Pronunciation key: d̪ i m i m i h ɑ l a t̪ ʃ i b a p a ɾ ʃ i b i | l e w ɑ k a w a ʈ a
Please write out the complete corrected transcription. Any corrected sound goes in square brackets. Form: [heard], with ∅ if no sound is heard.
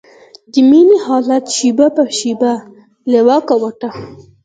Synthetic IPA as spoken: d̪ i m i [n] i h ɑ l a t̪ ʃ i b a p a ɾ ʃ i b [a] | l e w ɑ k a w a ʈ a